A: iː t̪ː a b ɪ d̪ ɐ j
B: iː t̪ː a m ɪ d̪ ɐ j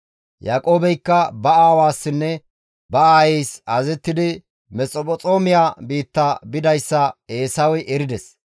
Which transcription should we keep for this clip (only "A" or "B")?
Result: A